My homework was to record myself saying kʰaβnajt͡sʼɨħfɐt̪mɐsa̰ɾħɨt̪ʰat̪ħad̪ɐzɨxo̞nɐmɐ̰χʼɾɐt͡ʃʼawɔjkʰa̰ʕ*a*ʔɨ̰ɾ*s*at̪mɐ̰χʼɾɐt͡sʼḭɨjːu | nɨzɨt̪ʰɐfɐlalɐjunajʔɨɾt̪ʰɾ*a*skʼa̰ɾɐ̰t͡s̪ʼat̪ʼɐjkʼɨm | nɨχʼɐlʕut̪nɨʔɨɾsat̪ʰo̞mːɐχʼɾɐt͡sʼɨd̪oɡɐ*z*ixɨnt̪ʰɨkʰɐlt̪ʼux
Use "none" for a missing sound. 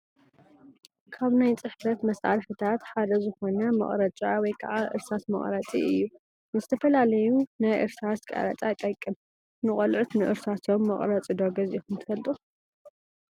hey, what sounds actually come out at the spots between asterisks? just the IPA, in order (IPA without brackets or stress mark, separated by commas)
a, s, a, z